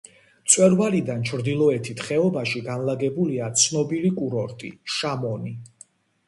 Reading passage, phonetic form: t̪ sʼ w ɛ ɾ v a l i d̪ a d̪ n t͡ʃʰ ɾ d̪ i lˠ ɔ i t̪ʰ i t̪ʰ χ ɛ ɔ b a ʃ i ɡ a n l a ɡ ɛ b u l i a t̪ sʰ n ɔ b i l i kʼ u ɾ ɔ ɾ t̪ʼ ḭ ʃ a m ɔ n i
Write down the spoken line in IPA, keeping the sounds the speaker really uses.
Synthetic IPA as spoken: t̪ sʼ w ɛ ɾ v a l i d̪ a n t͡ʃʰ ɾ d̪ i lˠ ɔ ɛ t̪ʰ i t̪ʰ χ ɛ ɔ b a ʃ i ɡ a n l a ɡ ɛ b u l i a t̪ sʰ n ɔ b i l i kʼ u ɾ ɔ ɾ t̪ʼ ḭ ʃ a m ɔ n i